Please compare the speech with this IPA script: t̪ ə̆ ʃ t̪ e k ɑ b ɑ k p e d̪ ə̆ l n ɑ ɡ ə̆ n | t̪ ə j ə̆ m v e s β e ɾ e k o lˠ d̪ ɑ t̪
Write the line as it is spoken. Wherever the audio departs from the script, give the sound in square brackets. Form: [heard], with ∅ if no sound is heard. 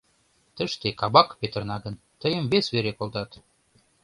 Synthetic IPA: t̪ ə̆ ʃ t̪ e k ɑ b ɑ k p e [t̪] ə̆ [r] n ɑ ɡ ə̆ n | t̪ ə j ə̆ m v e s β e ɾ e k o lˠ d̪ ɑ t̪